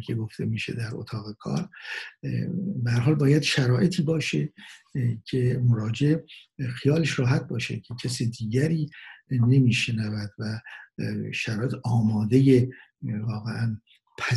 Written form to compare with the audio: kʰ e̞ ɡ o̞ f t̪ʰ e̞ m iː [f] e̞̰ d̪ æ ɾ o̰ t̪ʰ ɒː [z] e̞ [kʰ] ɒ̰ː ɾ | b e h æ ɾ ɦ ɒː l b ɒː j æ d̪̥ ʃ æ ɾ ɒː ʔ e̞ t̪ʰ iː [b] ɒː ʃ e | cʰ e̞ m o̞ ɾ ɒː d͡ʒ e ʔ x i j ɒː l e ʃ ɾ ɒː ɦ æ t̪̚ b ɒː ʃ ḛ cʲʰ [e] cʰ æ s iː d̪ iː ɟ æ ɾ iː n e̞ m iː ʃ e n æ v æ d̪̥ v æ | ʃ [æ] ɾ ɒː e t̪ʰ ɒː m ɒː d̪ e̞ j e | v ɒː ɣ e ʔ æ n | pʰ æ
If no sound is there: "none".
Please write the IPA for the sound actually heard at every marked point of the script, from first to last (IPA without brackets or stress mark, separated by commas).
ʃ, ɣ, kʰ, b, e, æ